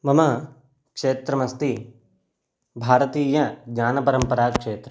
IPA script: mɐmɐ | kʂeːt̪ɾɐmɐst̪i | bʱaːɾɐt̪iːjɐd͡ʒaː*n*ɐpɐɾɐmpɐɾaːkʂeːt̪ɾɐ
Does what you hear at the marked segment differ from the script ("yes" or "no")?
no